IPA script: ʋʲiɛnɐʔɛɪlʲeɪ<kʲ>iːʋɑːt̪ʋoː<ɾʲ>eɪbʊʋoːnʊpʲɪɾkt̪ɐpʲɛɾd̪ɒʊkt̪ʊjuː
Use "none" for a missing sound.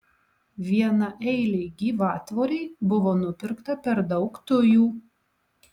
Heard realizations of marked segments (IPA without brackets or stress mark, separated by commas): ɡʲ, ɾʲ